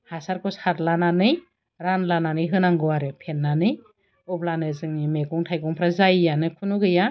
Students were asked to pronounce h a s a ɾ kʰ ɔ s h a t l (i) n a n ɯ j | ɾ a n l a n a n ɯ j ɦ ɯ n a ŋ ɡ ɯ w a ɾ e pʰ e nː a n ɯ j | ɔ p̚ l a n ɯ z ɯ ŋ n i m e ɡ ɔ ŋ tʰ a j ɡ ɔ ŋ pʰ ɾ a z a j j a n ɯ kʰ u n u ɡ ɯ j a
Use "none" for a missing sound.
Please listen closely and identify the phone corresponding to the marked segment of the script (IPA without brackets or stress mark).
a